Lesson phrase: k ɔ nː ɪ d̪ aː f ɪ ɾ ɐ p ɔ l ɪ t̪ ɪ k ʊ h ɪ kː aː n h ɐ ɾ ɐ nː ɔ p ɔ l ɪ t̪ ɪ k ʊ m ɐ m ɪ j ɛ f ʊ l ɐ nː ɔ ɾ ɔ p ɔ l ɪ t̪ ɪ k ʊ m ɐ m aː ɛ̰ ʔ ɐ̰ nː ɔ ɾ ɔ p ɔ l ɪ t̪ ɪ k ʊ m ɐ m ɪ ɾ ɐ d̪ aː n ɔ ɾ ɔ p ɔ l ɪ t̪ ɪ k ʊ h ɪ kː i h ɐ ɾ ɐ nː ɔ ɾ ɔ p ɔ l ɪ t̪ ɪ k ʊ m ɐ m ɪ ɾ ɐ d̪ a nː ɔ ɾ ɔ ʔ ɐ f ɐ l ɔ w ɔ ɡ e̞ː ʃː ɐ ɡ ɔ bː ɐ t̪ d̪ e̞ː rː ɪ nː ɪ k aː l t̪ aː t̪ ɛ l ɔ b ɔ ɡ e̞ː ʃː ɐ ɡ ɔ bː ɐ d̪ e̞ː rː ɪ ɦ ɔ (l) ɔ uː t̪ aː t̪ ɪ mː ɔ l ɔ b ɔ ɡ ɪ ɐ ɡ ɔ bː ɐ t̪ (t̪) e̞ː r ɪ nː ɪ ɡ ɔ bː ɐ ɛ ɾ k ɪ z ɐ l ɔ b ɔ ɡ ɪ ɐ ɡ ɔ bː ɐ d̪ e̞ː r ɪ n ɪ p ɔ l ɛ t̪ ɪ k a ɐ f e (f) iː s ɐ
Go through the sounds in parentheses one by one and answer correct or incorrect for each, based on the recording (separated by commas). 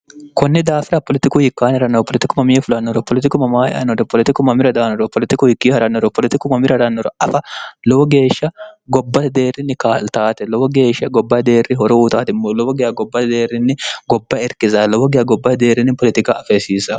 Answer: incorrect, incorrect, incorrect